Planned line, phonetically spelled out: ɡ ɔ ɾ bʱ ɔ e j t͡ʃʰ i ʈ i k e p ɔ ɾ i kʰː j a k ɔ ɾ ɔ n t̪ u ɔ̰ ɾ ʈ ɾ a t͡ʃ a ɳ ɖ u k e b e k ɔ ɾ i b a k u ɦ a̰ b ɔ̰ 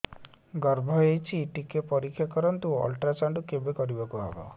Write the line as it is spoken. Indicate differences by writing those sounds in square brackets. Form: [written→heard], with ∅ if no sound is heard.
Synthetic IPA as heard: ɡ ɔ ɾ bʱ ɔ e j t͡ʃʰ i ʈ i k e p ɔ ɾ i kʰː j a k ɔ ɾ ɔ n t̪ u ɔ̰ [ɾ→l] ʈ ɾ a t͡ʃ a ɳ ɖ u k e b e k ɔ ɾ i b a k u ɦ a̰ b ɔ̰